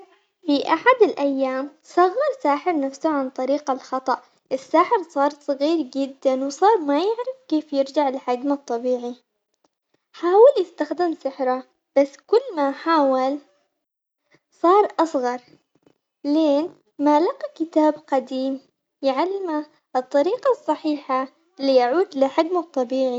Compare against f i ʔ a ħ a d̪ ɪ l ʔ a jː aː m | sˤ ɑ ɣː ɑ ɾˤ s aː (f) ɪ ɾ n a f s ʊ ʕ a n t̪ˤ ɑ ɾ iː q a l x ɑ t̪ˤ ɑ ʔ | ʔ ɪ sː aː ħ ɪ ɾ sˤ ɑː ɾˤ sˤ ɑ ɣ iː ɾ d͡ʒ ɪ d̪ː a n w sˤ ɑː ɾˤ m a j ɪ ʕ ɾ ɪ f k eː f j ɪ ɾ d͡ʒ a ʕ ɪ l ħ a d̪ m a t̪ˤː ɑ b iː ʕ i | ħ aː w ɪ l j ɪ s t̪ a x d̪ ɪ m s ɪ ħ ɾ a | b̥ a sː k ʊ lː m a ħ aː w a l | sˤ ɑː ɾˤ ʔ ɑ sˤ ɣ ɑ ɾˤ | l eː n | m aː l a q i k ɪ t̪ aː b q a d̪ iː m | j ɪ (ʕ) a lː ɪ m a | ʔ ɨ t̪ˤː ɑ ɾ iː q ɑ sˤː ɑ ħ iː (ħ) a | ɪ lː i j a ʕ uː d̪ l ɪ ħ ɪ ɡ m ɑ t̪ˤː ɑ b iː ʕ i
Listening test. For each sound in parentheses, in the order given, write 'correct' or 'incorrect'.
incorrect: ħ, correct, correct

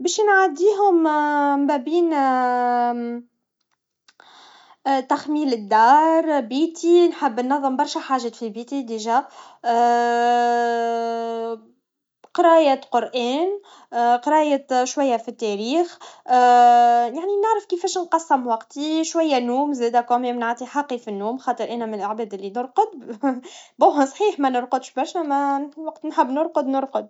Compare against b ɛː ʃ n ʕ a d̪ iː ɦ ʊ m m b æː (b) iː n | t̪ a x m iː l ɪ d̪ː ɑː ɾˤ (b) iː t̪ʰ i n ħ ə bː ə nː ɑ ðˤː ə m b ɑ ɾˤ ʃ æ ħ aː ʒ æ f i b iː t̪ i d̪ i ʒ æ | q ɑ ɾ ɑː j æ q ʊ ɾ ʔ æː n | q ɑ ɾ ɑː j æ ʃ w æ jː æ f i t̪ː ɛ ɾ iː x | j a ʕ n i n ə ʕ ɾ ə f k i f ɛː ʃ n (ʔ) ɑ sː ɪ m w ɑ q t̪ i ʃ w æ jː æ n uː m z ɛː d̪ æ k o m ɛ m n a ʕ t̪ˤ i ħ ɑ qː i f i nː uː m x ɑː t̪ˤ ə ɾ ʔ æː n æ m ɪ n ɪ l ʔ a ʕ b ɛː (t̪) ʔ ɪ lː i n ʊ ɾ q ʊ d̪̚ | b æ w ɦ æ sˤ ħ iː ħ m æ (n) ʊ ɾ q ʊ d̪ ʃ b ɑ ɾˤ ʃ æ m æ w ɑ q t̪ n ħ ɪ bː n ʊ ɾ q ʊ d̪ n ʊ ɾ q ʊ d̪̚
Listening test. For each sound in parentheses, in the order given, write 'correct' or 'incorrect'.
correct, correct, incorrect: q, incorrect: d̪, correct

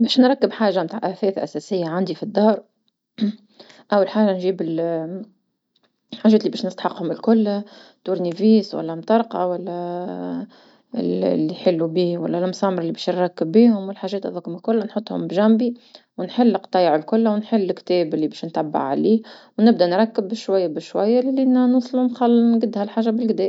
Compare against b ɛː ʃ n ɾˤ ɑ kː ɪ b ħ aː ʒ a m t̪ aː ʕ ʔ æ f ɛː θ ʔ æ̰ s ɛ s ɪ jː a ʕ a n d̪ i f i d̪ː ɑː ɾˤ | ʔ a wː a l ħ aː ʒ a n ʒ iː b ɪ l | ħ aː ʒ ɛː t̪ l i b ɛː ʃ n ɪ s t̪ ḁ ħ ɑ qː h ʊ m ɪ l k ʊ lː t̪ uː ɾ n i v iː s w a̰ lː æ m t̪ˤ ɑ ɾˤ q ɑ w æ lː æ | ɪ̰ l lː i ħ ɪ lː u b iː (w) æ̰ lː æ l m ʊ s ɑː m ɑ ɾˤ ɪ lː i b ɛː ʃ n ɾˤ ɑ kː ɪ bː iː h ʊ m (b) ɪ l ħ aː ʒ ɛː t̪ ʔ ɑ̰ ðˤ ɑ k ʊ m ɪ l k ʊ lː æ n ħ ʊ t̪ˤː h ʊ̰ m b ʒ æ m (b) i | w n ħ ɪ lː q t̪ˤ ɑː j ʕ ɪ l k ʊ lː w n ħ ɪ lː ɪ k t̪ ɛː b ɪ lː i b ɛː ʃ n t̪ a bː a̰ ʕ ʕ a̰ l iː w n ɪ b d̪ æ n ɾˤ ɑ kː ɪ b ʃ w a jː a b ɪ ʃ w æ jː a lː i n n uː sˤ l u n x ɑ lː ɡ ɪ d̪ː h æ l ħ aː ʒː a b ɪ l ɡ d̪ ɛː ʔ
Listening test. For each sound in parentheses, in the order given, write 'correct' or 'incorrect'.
correct, incorrect: w, correct

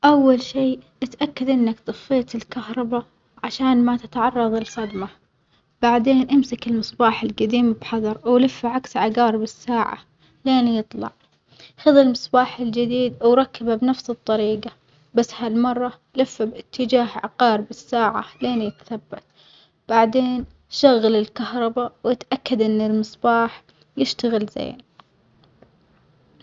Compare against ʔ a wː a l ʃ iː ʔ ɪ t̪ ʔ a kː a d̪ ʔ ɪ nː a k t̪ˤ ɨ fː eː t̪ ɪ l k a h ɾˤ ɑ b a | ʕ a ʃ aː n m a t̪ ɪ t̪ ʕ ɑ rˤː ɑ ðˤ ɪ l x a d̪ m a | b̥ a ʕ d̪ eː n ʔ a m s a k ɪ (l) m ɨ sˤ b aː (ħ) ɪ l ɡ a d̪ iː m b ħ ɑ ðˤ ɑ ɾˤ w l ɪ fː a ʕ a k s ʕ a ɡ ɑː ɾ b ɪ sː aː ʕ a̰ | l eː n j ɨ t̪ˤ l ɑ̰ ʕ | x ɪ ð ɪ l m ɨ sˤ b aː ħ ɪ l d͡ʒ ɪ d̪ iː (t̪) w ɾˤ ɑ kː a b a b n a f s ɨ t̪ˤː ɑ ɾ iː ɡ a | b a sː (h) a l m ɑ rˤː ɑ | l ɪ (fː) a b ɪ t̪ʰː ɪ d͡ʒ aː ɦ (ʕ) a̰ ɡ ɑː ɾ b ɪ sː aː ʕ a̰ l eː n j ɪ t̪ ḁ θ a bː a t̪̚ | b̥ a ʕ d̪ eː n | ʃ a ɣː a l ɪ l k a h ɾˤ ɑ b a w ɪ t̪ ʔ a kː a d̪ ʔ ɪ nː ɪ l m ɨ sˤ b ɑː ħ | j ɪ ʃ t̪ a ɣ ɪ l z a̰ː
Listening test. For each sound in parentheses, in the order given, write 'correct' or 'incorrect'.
correct, correct, incorrect: d̪, correct, correct, correct

